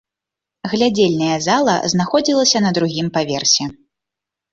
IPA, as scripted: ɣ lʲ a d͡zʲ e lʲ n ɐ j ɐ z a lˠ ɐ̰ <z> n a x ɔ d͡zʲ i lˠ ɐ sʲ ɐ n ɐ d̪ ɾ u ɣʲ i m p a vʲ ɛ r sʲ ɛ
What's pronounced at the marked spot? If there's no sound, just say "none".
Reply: z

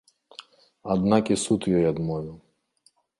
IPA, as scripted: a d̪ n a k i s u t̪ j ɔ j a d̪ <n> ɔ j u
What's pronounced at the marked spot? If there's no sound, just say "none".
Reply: m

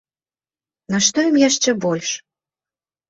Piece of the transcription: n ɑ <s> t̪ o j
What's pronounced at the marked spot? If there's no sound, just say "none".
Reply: ʃ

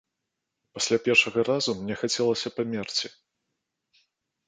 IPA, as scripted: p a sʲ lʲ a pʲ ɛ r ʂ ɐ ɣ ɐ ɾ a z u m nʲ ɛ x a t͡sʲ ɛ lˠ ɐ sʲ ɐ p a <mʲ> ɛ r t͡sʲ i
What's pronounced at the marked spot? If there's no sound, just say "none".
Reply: mʲ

